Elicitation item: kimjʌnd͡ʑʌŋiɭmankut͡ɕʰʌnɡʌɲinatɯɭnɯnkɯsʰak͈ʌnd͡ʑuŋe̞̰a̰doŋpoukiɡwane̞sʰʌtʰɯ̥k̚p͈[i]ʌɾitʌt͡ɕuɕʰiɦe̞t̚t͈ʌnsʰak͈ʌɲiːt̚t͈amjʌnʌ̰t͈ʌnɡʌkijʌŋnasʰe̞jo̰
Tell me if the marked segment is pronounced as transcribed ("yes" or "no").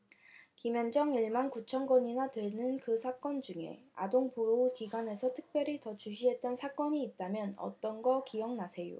no